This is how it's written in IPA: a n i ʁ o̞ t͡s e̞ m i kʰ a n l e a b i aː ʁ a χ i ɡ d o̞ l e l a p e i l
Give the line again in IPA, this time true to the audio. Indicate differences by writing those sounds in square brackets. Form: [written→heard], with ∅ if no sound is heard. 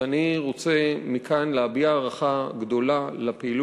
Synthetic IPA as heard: a n i ʁ o̞ t͡s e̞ m i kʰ a n l e a b i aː ʁ a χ [i→a] ɡ d o̞ l [e→a] l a p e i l